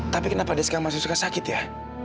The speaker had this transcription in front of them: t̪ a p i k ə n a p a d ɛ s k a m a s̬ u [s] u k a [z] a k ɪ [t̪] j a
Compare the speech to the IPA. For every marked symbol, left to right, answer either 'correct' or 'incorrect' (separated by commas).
correct, incorrect, correct